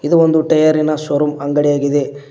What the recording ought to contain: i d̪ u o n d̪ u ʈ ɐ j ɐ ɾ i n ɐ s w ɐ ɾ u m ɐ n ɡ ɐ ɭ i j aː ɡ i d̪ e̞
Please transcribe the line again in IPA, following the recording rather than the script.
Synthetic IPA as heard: i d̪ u o n d̪ u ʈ ɐ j ɐ ɾ i n ɐ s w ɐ ɾ u m ɐ ŋ ɡ ɐ ɽ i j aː ɡ i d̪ e̞

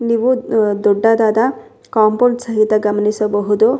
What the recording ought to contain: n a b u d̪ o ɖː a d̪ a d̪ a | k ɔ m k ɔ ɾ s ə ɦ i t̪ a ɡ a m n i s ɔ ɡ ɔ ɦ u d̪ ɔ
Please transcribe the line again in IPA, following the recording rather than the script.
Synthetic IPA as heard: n i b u d̪ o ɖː a d̪ a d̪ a | k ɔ m p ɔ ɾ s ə ɦ i t̪ a ɡ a m n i s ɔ b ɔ ɦ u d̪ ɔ

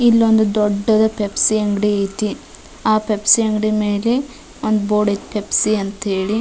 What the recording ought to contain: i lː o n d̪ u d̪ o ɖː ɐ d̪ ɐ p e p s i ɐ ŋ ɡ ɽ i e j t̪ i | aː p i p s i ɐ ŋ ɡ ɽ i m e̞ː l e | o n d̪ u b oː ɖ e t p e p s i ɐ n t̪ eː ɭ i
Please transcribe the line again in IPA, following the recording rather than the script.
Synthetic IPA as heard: i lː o n d̪ u d̪ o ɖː ɐ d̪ ɐ p e p s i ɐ ŋ ɡ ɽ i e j t̪ i | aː p e p s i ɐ ŋ ɡ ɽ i m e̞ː l e | o n d̪ u b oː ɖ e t p e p s i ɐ n t̪ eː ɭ i

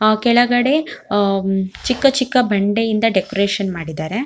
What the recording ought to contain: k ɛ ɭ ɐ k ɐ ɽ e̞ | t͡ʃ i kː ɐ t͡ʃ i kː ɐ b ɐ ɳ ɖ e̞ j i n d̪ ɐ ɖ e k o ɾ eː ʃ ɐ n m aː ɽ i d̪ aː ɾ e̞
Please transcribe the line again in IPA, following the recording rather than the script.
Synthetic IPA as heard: k ɛ ɭ ɐ ɡ ɐ ɽ e̞ | t͡ʃ i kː ɐ t͡ʃ i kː ɐ b ɐ ɳ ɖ e̞ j i n d̪ ɐ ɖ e k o ɾ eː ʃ ɐ n m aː ɽ i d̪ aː ɾ e̞

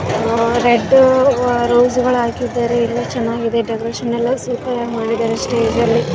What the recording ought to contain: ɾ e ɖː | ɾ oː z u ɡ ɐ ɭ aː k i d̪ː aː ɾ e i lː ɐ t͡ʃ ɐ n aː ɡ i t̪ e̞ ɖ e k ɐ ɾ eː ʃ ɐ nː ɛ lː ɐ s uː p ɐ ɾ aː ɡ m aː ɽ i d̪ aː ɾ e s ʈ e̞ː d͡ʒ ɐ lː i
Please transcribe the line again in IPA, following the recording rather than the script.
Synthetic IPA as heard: ɾ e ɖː | ɾ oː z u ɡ ɐ ɭ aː k i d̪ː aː ɾ e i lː ɐ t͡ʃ ɐ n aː ɡ i d̪ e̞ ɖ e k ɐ ɾ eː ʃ ɐ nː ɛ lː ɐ s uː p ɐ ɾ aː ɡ m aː ɽ i d̪ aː ɾ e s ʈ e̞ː d͡ʒ ɐ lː i

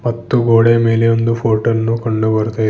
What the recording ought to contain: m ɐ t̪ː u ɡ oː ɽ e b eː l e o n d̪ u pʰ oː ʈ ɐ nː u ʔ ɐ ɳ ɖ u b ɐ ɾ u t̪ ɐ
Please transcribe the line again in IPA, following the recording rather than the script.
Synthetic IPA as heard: m ɐ t̪ː u ɡ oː ɽ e m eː l e o n d̪ u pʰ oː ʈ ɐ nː u k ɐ ɳ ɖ u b ɐ ɾ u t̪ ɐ

